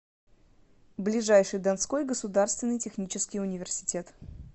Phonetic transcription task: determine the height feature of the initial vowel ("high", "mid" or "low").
high